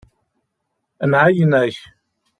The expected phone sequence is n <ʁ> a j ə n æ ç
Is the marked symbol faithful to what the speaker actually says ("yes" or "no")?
no